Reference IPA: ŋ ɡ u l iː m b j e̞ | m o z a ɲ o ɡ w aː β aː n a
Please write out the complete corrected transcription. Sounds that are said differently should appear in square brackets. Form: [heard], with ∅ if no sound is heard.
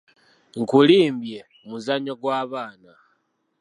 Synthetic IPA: ŋ [k] u l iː m b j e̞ | m [u] z a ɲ o ɡ w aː β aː n a